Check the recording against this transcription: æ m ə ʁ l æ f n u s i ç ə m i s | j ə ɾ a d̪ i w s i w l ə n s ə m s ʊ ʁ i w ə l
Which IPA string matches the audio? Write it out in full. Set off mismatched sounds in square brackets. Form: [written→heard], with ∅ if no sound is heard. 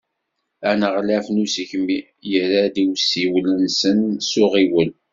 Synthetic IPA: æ [m→n] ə ʁ l æ f n u s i ç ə m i [s→∅] | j ə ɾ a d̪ i w s i w l ə n s ə [m→n] s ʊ ʁ i w ə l